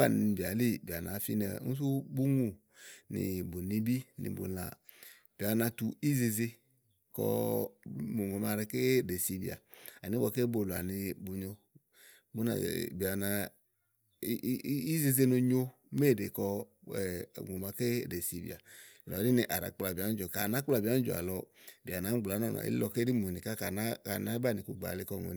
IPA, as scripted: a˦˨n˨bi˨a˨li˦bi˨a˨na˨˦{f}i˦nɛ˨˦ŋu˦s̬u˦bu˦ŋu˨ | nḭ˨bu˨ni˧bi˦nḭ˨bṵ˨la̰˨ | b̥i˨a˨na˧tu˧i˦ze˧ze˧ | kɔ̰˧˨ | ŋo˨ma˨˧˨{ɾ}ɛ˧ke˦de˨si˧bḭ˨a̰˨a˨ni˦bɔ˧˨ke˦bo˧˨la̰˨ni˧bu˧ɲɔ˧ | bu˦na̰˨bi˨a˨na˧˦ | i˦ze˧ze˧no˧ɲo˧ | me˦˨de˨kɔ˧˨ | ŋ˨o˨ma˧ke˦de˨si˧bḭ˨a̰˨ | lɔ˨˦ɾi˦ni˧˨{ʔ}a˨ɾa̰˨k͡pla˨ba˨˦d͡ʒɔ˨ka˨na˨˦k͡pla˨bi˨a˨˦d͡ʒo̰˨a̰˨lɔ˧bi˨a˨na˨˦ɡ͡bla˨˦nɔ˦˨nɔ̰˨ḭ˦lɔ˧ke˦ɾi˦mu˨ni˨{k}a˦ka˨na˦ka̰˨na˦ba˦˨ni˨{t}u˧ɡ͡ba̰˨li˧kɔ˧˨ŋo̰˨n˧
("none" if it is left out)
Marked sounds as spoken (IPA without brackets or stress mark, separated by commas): f, ɾ, ʔ, k, k